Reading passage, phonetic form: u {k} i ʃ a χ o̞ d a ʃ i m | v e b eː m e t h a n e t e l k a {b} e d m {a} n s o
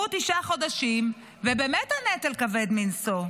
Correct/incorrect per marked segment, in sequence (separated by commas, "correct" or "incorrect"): incorrect, incorrect, incorrect